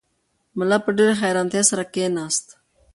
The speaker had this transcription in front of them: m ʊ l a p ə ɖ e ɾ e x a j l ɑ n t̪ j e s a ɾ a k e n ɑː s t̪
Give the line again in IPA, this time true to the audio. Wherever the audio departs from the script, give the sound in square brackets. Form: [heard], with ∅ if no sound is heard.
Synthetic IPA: m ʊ l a p ə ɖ e ɾ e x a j [ɾ] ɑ n t̪ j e s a ɾ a k e n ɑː s t̪